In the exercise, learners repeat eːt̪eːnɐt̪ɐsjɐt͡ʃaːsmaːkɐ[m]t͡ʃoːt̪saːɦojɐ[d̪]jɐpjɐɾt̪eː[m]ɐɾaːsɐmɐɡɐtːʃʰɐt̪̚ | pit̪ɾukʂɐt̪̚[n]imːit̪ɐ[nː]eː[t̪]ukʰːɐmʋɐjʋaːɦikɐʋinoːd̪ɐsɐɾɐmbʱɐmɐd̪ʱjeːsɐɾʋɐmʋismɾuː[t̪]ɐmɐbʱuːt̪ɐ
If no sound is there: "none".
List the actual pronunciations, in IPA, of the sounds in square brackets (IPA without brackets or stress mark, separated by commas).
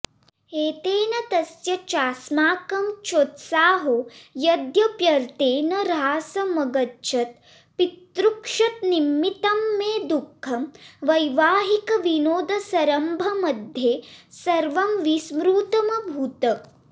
m, d̪, n, n, mː, d̪, t̪